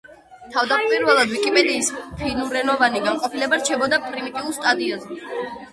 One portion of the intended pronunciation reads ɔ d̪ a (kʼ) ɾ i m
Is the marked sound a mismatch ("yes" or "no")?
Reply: yes